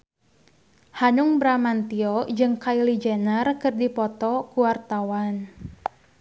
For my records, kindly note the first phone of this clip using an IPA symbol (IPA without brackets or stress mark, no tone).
h